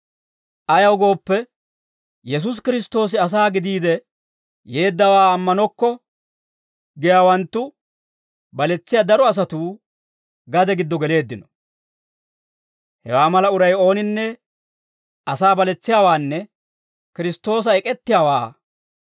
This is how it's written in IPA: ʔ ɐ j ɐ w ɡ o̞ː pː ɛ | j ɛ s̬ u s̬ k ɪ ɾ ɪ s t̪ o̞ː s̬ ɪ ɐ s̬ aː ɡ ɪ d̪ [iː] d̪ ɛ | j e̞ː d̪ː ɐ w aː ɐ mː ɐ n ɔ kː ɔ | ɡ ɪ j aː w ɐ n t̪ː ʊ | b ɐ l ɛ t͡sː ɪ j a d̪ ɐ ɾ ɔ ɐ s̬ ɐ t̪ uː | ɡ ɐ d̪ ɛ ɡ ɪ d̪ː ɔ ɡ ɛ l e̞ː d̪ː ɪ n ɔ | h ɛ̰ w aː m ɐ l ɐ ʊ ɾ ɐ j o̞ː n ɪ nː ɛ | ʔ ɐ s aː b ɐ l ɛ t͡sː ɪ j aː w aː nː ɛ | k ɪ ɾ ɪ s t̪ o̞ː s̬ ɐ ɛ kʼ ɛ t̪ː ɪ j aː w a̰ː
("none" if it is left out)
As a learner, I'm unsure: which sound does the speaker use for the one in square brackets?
iː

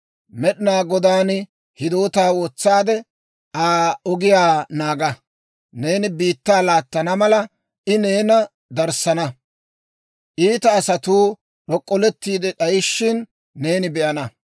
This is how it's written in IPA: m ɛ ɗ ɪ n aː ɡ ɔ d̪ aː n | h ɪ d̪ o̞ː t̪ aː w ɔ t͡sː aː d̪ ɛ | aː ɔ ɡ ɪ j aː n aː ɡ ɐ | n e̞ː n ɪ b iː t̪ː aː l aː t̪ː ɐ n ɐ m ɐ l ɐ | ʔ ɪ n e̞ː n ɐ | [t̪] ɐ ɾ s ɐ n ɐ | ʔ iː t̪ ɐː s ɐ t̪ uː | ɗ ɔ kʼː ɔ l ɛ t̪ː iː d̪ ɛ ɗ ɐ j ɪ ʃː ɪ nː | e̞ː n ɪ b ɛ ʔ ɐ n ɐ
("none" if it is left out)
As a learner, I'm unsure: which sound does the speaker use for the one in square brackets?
d̪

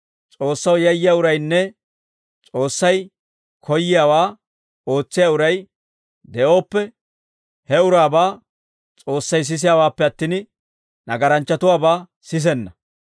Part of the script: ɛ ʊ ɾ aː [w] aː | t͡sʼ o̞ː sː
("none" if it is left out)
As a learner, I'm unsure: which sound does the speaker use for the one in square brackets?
b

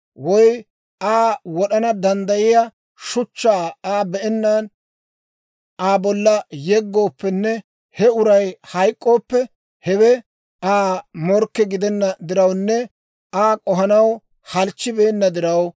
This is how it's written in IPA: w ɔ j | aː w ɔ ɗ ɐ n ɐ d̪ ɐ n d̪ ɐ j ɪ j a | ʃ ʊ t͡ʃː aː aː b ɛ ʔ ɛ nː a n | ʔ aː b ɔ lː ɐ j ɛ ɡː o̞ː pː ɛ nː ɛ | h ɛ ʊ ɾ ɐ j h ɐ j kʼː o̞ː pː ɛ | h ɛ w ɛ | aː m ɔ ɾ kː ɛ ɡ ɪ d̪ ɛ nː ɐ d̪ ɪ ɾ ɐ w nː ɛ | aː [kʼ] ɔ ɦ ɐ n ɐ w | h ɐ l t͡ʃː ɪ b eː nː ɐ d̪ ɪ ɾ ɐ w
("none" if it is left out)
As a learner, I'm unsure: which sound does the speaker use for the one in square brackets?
kʼ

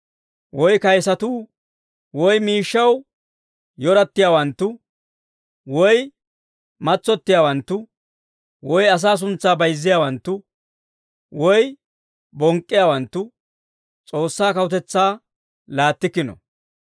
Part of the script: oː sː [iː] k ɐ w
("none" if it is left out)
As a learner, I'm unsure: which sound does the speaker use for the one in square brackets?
aː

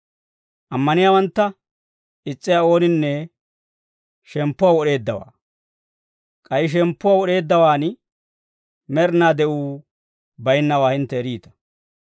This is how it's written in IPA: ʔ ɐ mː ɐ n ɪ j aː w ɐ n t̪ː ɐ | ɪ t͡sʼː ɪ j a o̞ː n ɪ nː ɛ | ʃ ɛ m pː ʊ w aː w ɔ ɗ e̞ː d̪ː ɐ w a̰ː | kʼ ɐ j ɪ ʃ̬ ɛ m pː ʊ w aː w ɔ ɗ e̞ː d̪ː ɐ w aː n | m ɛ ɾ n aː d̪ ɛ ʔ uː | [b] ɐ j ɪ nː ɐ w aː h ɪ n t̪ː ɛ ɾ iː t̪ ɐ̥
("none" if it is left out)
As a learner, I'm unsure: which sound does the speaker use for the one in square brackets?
b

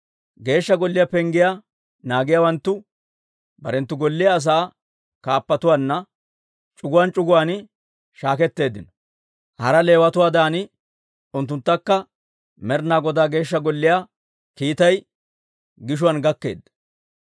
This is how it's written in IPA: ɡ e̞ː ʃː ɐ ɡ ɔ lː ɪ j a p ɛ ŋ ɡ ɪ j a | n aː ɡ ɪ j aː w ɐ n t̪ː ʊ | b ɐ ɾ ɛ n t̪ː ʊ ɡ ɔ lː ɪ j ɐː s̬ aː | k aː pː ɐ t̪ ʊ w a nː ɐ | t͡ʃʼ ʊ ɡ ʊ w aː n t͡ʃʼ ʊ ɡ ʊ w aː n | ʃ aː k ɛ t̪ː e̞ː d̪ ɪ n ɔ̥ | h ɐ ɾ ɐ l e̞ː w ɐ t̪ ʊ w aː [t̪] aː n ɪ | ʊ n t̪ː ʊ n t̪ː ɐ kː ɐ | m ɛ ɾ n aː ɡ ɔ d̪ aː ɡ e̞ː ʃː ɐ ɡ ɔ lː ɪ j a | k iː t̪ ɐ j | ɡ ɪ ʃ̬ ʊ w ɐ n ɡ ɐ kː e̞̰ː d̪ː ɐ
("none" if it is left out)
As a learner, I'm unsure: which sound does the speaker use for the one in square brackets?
d̪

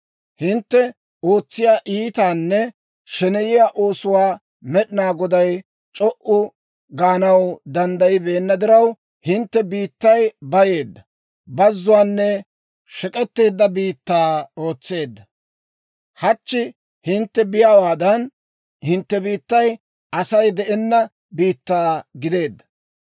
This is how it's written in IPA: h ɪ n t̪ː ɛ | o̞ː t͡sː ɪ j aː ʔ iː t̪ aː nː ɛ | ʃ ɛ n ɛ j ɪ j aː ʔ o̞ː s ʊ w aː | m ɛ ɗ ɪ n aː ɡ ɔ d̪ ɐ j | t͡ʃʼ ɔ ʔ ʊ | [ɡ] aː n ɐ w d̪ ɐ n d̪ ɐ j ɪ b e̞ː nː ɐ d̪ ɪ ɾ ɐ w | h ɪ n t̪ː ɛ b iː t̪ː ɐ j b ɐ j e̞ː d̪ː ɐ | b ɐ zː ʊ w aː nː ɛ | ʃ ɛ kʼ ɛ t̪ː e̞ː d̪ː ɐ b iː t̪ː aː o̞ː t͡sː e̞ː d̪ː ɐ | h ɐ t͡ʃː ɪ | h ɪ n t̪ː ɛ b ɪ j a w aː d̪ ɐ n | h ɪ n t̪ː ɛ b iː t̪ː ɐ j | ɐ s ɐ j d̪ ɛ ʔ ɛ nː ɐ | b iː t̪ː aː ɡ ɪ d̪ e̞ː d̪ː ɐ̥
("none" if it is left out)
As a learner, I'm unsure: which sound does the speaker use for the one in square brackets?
ɡ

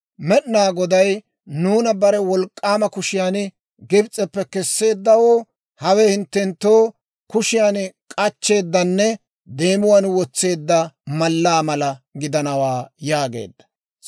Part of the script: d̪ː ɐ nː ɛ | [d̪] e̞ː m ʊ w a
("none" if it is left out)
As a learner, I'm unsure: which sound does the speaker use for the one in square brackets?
d̪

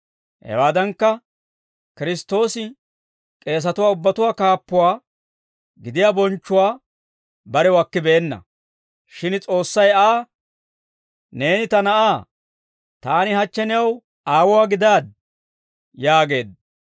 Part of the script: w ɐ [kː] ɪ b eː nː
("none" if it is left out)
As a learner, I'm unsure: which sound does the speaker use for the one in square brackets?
kː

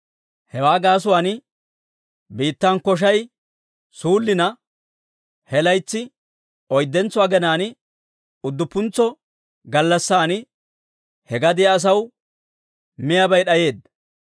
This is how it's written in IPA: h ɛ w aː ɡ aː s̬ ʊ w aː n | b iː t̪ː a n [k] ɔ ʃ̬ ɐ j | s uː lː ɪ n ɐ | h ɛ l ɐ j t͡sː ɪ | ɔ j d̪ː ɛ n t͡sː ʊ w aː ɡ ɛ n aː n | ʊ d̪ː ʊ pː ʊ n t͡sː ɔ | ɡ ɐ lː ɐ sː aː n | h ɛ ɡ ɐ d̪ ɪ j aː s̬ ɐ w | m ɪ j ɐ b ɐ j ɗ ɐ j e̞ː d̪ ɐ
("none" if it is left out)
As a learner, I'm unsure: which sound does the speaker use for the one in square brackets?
k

